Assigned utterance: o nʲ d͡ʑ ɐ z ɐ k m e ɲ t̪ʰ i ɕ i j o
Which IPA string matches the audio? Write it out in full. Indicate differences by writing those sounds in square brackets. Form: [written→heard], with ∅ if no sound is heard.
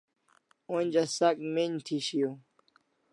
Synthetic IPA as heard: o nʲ d͡ʑ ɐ [z→s] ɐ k m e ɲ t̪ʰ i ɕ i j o